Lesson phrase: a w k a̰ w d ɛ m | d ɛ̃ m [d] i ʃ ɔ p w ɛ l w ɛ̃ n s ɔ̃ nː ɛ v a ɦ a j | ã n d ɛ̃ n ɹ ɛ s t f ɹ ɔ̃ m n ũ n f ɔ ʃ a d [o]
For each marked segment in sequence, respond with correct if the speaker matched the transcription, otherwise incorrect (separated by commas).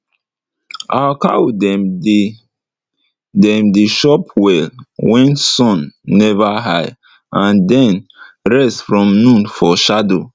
correct, correct